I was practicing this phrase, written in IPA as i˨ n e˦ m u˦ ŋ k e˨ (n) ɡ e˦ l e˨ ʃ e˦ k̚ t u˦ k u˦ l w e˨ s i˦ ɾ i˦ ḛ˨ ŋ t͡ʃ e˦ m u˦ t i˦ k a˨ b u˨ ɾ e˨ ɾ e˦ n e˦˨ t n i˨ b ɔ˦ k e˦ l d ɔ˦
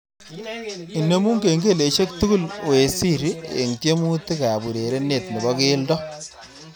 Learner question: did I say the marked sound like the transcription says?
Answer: no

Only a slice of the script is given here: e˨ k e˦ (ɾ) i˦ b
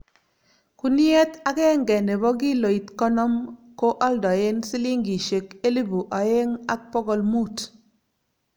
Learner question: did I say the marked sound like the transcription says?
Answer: no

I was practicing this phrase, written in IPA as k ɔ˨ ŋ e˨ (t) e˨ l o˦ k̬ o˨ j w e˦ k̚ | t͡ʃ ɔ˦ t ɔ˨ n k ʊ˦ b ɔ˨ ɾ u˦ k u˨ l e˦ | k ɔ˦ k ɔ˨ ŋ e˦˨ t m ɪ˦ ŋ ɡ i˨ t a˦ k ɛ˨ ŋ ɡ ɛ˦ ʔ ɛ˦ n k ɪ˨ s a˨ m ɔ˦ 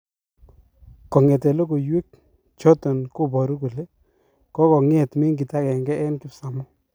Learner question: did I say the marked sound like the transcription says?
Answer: yes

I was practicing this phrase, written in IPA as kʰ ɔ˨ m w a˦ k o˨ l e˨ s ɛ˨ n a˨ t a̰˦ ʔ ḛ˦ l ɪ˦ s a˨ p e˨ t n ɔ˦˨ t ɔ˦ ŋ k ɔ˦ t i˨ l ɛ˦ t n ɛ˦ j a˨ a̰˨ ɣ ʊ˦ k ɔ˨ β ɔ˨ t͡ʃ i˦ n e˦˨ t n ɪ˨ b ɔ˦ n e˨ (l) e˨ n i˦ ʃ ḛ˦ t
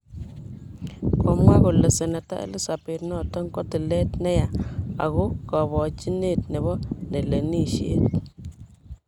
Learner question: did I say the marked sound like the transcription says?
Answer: yes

